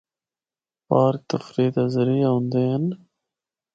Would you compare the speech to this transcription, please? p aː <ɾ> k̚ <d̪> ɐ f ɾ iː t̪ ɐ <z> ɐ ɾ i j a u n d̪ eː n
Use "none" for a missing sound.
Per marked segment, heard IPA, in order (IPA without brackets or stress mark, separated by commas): ɾ, t̪, z